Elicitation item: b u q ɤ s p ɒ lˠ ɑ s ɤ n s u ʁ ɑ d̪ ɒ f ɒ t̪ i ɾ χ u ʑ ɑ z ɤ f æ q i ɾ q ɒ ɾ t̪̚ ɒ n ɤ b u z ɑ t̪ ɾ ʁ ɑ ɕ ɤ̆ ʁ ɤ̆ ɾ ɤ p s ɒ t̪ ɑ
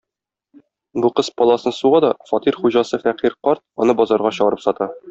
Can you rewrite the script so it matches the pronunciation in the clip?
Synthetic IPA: b u q ɤ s p ɒ lˠ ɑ s ɤ n s u ʁ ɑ d̪ ɒ f ɒ t̪ i ɾ χ u ʑ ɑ s ɤ f æ q i ɾ q ɒ ɾ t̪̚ ɒ n ɤ b ɒ z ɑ ɾ ʁ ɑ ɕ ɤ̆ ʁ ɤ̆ ɾ ɤ p s ɒ t̪ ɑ

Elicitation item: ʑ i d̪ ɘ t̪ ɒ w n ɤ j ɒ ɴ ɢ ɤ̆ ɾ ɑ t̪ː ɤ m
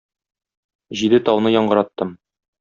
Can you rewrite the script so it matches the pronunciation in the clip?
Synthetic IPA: ʑ i d̪ ɘ t̪ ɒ w n ɤ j ɒ ɴ ɢ ɤ̆ ɾ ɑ t̪ː ɤ m

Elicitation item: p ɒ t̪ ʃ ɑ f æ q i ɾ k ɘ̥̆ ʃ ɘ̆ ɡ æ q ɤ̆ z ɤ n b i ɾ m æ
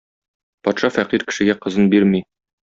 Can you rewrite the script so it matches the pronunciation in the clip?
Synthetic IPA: p ɒ t̪ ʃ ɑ f æ q i ɾ k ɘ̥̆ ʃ ɘ̆ ɡ æ q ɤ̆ z ɤ n b i ɾ m i

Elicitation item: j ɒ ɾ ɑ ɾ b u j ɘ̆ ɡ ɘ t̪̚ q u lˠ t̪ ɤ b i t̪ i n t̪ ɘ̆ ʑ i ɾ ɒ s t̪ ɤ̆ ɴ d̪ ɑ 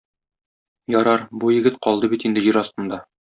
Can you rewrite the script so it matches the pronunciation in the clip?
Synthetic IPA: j ɒ ɾ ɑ ɾ b u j ɘ̆ ɡ ɘ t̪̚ q ɒ lˠ d̪ ɤ b i t̪ i n d̪ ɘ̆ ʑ i ɾ ɒ s t̪ ɤ̆ n d̪ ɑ

